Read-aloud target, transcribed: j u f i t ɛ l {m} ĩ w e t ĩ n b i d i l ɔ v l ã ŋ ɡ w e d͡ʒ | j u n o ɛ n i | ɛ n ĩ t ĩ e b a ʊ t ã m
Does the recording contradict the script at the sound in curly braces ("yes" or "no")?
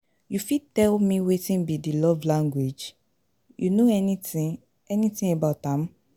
no